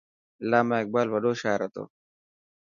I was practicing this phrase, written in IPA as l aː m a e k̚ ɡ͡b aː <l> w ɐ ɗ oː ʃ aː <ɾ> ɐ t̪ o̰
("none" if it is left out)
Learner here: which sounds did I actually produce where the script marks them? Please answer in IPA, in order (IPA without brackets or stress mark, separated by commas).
l, ɾ